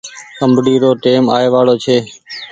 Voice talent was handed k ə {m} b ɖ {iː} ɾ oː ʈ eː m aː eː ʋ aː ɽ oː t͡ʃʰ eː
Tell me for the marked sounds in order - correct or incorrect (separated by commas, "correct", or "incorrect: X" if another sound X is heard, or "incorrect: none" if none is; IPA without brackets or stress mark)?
correct, correct